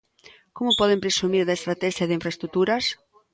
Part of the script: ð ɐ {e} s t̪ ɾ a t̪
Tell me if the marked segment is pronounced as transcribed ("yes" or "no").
yes